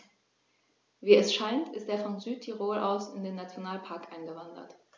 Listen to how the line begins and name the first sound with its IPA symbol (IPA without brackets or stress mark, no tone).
v